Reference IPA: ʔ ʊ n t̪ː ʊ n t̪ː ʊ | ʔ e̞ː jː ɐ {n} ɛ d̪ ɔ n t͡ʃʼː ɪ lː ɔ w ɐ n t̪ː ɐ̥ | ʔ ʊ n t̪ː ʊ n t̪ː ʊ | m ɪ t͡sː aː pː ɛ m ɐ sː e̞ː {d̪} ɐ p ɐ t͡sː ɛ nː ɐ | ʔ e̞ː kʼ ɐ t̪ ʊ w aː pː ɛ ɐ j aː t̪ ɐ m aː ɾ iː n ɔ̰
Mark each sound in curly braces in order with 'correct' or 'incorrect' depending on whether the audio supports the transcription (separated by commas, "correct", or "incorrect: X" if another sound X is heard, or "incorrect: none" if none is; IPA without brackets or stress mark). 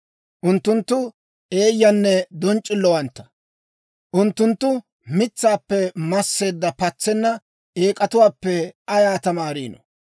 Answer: incorrect: nː, incorrect: d̪ː